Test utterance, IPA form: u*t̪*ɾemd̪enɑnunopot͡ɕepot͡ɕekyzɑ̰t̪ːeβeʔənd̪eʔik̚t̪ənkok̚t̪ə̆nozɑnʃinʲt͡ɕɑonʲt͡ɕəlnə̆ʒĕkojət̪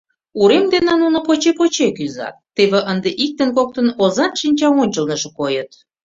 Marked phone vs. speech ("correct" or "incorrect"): incorrect